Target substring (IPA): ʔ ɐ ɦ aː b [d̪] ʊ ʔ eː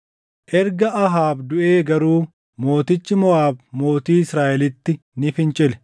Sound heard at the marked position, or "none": d̪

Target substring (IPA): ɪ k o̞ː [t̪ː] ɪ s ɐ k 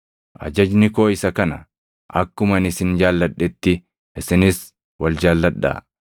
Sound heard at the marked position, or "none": none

